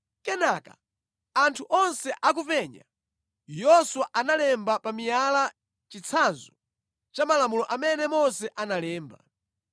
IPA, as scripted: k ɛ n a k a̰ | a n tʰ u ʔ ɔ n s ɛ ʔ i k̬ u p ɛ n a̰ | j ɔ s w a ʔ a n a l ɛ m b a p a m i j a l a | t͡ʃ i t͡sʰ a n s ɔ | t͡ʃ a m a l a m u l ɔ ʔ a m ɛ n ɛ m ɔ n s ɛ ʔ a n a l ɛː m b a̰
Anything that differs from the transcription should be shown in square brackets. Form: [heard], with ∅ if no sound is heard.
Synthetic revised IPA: k ɛ n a k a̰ | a n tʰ u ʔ ɔ n s ɛ ʔ [a] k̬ u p ɛ [ɲ] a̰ | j ɔ s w a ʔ a n a l ɛ m b a p a m i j a l a | t͡ʃ i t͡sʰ a n [z] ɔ | t͡ʃ a m a l a m u l ɔ ʔ a m ɛ n ɛ m ɔ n s ɛ ʔ a n a l ɛː m b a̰